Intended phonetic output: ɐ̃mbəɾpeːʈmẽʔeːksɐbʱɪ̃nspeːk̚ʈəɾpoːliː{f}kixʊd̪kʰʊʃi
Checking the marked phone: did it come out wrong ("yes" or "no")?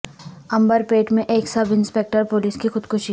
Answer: yes